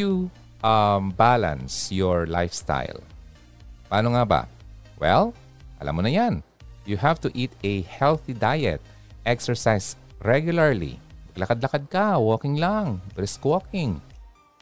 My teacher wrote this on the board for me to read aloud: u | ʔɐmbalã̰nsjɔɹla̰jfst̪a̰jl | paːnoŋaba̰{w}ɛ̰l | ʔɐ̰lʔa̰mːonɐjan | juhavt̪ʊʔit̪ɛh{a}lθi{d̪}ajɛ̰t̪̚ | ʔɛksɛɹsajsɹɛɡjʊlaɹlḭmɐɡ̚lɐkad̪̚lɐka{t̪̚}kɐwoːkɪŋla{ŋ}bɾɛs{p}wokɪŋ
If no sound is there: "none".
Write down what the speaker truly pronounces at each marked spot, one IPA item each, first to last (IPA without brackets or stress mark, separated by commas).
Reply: w, ɛ, d̪, d̪̚, ŋ, k